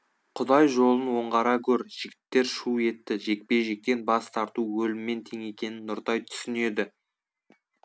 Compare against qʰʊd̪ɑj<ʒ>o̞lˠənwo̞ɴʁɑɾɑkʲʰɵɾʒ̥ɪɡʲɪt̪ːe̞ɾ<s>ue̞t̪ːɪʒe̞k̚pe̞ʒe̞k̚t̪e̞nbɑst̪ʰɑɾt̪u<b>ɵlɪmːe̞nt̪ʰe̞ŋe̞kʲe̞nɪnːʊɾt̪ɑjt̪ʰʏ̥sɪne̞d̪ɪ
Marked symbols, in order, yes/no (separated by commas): yes, no, no